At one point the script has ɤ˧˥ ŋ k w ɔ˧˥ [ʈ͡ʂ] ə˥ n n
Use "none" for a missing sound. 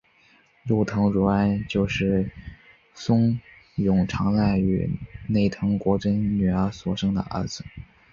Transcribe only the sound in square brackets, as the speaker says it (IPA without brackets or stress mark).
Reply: ʈ͡ʂ